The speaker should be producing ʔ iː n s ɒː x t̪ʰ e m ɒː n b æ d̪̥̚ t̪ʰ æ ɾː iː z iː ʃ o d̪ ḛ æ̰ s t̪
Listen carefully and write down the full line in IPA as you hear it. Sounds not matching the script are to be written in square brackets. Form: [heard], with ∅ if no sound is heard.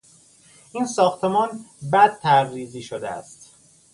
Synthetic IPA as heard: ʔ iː n s ɒː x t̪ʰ e m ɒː n b æ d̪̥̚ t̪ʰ æ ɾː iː z iː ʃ o d̪ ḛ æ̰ s t̪